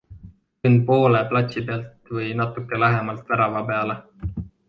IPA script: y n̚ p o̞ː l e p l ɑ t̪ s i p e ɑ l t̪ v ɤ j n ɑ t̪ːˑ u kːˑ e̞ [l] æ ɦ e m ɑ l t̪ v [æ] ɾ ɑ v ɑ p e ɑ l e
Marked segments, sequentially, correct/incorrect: correct, correct

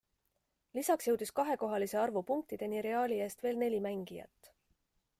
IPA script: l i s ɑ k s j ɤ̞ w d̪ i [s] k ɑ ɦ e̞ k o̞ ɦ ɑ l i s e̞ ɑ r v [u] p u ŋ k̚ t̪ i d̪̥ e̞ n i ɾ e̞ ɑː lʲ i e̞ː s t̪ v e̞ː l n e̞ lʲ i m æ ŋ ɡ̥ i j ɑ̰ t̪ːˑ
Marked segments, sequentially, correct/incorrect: correct, correct

